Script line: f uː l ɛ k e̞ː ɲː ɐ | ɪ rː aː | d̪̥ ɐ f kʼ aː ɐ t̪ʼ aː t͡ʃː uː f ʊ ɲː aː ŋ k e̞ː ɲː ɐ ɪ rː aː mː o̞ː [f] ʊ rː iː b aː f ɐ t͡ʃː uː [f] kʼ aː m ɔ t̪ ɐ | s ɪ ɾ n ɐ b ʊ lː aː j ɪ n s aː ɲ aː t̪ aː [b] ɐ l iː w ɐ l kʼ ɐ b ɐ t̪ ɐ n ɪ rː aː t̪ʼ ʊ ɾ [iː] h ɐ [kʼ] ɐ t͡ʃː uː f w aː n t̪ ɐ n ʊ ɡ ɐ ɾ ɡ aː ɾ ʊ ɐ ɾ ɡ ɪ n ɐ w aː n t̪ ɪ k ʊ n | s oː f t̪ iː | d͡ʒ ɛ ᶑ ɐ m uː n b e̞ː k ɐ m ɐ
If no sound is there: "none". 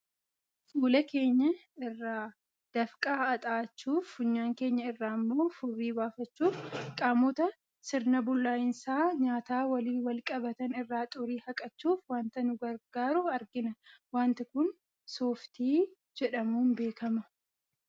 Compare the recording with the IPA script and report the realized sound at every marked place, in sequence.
f, f, w, iː, kʼ

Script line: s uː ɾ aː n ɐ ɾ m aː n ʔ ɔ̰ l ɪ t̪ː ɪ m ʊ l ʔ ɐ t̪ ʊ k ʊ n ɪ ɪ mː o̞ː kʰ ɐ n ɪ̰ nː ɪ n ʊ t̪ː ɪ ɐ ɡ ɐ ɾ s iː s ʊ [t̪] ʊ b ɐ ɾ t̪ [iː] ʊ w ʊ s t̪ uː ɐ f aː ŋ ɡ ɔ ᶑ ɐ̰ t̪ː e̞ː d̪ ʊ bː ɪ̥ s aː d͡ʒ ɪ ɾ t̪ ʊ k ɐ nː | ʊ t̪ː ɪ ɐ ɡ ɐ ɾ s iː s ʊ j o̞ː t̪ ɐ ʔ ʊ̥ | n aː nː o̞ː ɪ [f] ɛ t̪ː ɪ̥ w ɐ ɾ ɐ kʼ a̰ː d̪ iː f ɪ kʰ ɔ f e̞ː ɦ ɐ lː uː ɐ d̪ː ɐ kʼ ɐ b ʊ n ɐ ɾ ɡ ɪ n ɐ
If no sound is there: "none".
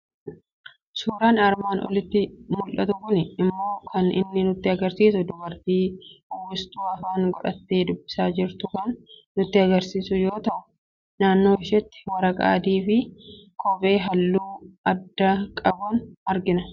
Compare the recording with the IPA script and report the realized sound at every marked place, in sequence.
d̪, iː, ʃ

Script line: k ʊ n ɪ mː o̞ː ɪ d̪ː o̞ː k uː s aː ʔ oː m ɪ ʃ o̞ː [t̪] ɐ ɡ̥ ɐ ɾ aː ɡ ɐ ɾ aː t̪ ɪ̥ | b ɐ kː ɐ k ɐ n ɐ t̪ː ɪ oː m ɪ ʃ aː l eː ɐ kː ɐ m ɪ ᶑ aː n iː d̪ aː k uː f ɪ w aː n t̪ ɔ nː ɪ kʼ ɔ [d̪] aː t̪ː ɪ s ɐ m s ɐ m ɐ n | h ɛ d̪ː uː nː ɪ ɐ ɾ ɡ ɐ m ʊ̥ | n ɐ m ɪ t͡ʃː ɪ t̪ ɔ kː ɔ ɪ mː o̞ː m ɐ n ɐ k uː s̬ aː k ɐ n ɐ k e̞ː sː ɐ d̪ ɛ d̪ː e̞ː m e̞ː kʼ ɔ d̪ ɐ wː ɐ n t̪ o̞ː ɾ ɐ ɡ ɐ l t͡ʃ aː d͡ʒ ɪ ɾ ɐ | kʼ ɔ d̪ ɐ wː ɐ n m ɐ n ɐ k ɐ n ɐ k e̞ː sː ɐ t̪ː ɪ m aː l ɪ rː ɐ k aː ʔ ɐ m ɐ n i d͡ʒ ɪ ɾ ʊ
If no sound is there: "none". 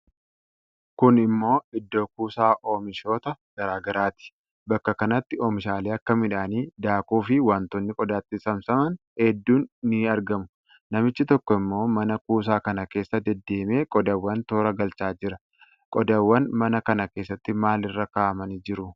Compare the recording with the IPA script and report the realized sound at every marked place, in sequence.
t̪, d̪

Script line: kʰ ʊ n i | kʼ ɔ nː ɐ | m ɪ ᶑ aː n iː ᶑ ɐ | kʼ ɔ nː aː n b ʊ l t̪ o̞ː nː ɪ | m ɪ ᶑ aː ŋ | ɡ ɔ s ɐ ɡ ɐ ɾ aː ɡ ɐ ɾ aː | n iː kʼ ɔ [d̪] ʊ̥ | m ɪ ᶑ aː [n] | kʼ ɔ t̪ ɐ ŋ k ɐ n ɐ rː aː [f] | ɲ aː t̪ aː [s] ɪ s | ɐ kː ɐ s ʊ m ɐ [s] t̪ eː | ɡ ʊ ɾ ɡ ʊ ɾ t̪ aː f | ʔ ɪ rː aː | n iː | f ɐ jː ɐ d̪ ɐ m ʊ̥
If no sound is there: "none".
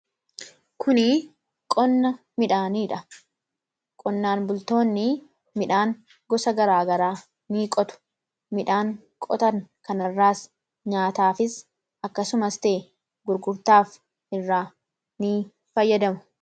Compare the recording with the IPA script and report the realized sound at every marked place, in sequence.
t̪, ŋ, s, f, s

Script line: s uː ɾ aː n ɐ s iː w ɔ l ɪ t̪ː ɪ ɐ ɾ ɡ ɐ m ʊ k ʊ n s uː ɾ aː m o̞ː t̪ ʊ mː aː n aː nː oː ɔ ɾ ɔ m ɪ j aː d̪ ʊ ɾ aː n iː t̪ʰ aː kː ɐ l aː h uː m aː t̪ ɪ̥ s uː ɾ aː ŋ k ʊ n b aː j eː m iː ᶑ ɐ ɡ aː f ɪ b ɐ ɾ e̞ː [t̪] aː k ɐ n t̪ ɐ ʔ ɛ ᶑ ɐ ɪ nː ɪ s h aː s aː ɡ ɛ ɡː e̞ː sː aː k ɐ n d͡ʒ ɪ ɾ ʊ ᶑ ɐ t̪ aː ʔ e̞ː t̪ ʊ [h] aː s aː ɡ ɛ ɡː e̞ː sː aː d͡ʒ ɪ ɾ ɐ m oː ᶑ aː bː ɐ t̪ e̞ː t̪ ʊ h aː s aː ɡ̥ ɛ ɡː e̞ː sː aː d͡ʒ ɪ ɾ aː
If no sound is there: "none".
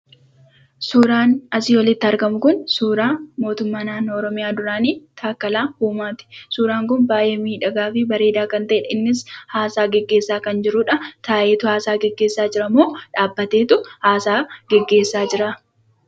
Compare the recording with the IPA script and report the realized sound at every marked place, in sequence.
d̪, h

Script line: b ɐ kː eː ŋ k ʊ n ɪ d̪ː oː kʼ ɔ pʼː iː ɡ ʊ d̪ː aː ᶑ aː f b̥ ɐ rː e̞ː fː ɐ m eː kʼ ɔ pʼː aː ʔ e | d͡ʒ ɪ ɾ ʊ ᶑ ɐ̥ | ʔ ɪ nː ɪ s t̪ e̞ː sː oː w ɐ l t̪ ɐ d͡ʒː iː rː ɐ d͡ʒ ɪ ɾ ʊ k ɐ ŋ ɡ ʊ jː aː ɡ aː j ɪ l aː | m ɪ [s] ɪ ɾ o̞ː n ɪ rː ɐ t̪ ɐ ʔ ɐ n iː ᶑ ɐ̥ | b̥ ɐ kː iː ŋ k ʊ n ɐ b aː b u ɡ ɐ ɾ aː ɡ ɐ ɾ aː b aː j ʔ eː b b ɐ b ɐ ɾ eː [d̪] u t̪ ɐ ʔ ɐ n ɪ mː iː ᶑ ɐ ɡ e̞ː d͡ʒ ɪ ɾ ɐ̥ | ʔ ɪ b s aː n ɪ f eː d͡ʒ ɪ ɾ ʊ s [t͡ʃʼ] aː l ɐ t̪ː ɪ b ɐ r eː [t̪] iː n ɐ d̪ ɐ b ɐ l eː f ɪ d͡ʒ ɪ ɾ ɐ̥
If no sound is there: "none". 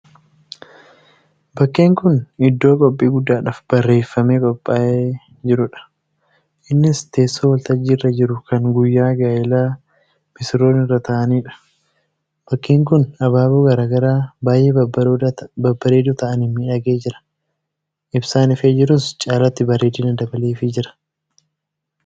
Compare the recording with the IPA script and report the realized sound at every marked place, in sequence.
s, d̪, t͡ʃʼ, d̪

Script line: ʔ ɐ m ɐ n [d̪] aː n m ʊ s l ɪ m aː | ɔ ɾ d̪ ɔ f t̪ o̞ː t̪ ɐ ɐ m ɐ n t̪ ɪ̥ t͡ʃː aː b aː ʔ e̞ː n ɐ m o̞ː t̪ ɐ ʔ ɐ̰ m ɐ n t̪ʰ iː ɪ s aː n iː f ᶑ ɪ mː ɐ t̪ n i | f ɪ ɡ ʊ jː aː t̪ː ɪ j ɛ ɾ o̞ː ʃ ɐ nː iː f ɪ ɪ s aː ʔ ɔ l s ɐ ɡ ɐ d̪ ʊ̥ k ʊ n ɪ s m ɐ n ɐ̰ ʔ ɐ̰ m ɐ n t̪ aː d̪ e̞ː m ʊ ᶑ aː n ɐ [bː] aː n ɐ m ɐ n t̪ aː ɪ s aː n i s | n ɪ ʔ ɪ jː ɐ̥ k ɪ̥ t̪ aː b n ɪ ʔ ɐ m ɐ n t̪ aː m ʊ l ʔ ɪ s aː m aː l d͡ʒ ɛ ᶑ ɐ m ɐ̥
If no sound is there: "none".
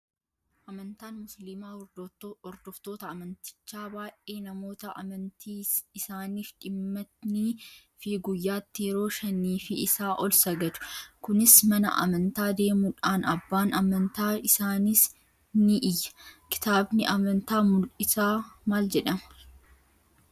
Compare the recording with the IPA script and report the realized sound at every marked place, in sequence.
t̪, bː

